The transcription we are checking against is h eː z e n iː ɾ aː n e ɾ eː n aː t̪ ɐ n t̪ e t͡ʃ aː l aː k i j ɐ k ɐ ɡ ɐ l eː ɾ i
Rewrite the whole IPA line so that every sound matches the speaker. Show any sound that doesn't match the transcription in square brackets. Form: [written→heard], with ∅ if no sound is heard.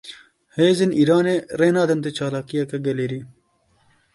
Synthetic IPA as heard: h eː z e n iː ɾ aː n e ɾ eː n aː [t̪→d̪] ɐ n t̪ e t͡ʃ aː l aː k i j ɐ k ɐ ɡ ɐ l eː ɾ i

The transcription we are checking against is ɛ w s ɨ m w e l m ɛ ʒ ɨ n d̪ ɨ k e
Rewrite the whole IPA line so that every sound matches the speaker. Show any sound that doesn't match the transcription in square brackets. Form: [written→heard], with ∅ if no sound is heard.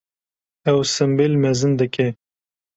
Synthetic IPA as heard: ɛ w s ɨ m [w→b] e l m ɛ [ʒ→z] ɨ n d̪ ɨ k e

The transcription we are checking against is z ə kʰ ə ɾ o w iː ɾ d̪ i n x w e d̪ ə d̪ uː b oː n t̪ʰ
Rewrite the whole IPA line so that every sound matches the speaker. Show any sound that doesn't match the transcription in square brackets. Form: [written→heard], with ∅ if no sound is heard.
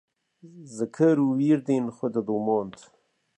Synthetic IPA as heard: z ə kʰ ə ɾ [o→u] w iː ɾ d̪ i n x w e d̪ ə d̪ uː [b→m] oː n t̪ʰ

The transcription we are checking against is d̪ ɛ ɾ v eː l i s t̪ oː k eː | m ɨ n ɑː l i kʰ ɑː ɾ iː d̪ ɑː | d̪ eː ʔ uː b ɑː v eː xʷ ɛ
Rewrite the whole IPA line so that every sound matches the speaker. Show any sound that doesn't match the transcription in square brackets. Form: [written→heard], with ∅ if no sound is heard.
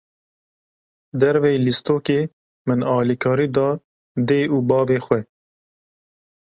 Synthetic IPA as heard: d̪ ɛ ɾ v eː l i s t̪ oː k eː | m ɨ n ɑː l i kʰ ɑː ɾ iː d̪ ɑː | d̪ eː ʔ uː b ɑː v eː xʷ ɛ

